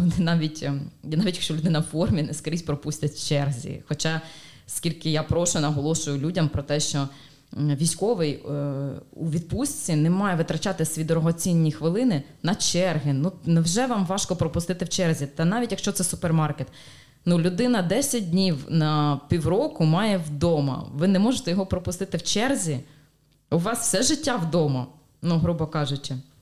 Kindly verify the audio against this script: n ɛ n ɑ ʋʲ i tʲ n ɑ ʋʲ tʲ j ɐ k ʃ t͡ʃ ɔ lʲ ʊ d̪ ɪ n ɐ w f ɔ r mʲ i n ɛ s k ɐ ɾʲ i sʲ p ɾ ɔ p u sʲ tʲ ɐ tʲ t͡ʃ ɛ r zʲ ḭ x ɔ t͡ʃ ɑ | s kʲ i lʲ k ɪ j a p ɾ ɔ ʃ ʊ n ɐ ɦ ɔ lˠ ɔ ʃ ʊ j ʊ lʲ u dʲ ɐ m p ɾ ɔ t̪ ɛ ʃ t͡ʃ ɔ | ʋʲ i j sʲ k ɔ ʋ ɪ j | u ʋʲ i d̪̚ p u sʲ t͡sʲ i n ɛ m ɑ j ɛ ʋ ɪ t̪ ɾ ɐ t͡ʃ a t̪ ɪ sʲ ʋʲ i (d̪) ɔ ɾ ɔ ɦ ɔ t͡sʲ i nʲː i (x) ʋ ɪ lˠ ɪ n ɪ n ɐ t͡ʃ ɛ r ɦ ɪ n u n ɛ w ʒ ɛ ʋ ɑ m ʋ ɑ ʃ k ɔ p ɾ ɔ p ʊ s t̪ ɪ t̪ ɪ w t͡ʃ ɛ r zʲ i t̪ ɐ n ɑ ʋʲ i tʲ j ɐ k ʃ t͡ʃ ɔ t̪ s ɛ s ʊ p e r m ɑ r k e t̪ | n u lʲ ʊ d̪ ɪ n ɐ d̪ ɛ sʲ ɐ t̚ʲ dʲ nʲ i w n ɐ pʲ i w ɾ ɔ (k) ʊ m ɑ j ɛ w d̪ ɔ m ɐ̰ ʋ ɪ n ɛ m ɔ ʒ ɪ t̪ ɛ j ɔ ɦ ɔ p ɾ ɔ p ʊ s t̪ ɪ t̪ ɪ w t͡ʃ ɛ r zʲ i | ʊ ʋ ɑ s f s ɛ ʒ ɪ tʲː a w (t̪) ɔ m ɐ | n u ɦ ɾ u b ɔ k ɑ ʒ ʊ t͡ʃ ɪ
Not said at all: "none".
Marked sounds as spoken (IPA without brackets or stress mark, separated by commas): d̪, x, k, d̪